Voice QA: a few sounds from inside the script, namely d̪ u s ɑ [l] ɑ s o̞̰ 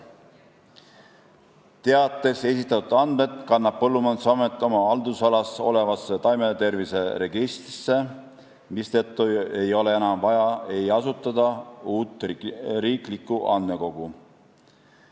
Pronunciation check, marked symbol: correct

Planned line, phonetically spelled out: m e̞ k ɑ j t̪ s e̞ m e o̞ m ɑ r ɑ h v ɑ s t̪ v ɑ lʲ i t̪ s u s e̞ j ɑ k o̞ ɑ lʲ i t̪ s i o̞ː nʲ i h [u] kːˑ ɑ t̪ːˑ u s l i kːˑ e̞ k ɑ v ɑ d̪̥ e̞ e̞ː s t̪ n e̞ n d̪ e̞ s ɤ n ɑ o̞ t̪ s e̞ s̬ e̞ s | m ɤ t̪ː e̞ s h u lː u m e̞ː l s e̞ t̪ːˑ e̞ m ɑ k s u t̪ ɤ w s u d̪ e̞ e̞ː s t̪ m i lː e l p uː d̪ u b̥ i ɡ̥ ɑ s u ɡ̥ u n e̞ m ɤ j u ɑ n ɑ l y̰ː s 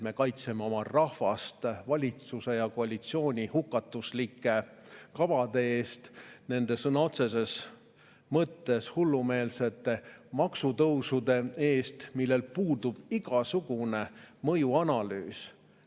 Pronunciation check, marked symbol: correct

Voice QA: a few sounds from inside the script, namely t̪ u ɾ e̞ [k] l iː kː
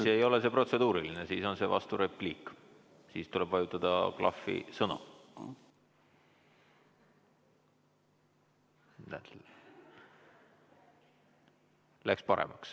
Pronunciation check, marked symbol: incorrect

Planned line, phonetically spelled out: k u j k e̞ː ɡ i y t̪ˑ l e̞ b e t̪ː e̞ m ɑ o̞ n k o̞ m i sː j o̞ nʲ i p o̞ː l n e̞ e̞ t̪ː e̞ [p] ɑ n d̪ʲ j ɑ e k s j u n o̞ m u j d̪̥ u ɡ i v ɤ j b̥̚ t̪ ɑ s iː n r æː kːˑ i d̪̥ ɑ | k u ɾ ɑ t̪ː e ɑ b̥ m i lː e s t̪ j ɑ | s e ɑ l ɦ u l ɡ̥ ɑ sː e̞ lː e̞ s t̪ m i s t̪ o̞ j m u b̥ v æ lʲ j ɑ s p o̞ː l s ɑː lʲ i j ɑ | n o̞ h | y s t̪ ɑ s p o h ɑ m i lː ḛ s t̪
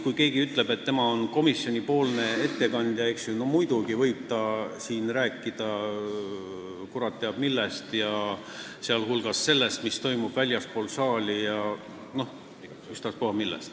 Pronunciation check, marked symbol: incorrect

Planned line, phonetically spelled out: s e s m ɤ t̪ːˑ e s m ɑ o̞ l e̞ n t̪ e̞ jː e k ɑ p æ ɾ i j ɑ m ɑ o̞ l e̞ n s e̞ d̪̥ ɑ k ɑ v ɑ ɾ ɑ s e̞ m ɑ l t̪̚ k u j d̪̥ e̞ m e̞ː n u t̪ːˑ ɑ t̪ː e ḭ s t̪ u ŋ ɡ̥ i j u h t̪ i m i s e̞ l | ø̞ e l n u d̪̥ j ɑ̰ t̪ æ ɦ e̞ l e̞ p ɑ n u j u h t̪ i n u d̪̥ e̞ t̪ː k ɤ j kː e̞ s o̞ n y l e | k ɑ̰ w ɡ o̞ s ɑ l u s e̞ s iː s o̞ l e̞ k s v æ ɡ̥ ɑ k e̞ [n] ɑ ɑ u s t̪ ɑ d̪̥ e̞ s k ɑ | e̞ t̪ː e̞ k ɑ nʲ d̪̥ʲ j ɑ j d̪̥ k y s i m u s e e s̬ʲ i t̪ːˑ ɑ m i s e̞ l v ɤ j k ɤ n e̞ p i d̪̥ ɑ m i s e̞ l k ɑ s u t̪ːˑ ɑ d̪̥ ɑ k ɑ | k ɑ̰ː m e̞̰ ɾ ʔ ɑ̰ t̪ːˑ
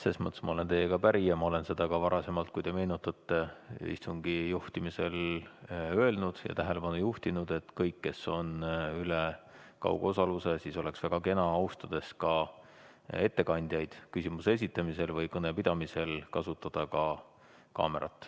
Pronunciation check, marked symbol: correct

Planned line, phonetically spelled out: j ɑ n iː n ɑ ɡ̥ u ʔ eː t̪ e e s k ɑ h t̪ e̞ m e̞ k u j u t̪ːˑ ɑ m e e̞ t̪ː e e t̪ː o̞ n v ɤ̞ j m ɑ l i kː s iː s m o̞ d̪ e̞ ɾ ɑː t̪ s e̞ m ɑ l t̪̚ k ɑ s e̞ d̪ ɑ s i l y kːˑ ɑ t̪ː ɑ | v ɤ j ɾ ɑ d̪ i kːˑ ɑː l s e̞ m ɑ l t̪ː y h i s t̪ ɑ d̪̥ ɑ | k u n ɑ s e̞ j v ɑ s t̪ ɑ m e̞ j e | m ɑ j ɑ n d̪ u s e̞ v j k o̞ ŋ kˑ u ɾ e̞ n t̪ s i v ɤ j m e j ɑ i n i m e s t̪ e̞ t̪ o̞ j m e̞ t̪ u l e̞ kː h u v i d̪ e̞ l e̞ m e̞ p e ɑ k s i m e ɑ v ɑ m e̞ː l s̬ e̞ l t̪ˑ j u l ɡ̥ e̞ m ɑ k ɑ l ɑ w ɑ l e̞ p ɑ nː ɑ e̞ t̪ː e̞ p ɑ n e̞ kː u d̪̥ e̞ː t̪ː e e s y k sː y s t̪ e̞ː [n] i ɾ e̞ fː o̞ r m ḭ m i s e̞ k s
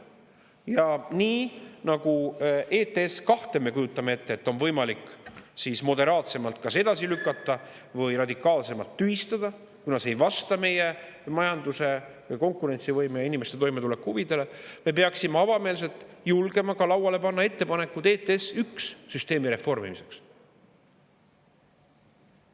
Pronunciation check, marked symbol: incorrect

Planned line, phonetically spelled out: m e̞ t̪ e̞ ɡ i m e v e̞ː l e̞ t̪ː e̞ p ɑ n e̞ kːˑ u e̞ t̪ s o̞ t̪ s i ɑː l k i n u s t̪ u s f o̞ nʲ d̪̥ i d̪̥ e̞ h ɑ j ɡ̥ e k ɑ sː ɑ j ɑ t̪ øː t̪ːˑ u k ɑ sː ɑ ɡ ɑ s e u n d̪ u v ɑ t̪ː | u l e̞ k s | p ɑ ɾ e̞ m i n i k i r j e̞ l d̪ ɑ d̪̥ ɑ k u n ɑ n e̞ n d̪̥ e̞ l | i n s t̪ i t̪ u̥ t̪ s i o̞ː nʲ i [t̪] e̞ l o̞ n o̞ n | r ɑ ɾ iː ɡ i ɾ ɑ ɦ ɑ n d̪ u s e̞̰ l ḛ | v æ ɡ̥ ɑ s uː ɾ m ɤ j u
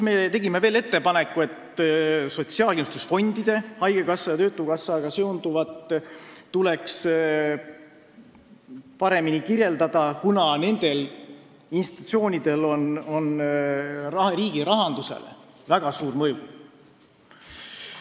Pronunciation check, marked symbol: incorrect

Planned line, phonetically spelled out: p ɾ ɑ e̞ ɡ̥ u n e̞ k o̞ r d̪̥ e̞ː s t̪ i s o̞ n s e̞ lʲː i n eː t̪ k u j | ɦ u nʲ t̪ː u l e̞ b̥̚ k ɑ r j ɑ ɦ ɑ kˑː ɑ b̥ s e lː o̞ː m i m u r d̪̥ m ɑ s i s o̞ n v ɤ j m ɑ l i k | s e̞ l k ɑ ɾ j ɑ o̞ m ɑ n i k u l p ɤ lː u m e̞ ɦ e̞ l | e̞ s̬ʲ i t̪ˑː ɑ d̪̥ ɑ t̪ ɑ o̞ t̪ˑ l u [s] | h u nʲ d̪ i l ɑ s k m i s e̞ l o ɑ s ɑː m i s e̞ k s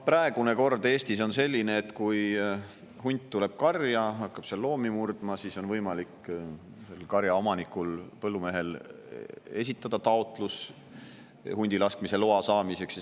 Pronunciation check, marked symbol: correct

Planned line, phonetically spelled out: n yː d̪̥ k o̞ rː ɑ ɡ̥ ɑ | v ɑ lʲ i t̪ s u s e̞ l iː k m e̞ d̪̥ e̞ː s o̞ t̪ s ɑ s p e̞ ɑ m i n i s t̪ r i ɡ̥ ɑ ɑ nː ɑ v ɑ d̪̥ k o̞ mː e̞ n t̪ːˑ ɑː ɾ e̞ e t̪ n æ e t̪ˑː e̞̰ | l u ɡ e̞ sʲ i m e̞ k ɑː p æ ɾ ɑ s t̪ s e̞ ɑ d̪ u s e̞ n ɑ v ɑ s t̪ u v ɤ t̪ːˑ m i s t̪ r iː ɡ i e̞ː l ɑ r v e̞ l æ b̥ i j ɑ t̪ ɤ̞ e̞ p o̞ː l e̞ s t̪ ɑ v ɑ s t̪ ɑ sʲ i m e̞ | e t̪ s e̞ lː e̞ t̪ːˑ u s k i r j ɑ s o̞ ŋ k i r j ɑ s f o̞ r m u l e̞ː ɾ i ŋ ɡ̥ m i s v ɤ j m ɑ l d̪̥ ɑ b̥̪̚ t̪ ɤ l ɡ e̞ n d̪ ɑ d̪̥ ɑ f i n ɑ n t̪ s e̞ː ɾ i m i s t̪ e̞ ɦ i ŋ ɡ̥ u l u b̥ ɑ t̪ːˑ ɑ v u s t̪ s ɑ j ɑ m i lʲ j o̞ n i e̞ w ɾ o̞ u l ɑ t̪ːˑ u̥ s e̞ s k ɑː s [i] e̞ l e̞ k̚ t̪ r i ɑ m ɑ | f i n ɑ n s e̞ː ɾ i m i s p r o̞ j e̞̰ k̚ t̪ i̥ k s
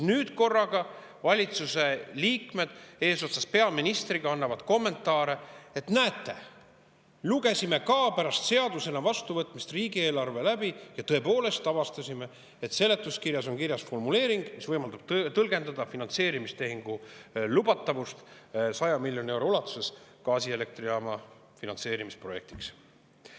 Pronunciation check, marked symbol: correct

